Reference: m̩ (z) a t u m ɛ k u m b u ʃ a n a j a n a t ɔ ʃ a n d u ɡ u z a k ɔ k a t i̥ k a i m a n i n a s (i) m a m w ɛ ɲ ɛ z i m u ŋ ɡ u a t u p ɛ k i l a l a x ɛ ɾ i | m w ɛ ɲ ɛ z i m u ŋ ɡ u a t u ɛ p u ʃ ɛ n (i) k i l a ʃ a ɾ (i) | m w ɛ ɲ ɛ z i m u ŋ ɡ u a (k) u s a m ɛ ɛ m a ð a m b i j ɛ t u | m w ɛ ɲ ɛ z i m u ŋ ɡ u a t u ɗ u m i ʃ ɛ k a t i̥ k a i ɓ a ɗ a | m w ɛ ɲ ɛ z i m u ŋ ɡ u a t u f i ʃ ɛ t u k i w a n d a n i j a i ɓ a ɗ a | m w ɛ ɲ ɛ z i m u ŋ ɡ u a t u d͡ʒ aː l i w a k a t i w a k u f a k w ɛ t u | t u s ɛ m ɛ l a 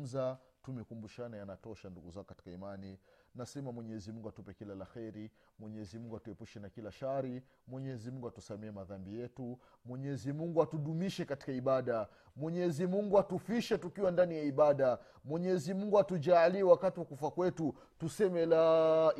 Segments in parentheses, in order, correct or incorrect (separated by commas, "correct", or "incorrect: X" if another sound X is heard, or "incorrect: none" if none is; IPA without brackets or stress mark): correct, incorrect: ɛ, incorrect: a, correct, incorrect: t